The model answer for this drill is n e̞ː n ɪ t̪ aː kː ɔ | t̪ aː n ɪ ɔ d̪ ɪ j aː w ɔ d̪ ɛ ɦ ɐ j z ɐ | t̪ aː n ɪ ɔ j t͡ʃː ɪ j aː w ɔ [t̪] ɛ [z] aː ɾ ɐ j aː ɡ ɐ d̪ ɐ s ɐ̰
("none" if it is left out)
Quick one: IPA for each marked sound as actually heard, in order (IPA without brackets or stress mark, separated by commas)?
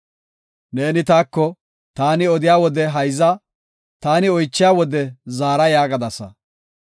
d̪, z